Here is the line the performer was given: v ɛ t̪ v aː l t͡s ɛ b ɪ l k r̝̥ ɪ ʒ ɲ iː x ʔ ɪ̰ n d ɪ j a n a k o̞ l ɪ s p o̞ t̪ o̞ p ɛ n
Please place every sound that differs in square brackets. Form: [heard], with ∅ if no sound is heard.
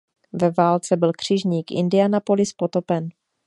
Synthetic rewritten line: v ɛ [∅] v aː l t͡s ɛ b ɪ l k r̝̥ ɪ ʒ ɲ iː [k] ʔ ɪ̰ n d ɪ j a n a [p] o̞ l ɪ s p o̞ t̪ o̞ p ɛ n